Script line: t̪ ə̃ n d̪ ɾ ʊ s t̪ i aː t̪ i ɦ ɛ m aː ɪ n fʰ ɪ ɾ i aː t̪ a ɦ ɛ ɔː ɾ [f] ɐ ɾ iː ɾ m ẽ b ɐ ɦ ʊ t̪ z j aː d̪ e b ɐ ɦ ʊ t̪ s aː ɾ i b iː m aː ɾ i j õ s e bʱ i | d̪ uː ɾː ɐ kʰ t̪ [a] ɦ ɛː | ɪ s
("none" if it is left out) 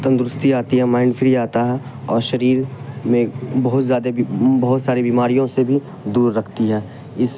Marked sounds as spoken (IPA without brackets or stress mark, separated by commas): ʃ, i